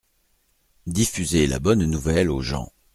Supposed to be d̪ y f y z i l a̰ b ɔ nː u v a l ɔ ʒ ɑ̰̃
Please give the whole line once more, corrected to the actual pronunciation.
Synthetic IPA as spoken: d̪ i f y z e l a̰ b ɔ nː u v ɛ l o ʒ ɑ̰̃